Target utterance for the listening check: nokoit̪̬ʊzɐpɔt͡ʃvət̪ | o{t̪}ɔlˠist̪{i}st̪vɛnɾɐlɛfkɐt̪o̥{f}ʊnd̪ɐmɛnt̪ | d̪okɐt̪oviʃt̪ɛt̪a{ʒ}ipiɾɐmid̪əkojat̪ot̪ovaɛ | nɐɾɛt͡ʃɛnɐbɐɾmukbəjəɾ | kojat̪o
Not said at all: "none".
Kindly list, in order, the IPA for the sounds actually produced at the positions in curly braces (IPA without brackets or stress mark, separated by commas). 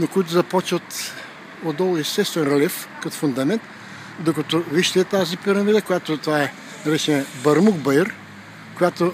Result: d̪, ɛ, f, z